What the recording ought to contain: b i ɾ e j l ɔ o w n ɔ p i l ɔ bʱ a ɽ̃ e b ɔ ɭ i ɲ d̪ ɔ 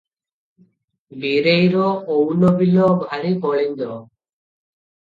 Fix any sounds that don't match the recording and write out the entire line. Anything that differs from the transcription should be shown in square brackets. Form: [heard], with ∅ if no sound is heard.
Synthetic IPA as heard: b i ɾ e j [ɾ] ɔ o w n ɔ [b] i l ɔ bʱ a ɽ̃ [i] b ɔ ɭ i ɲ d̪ ɔ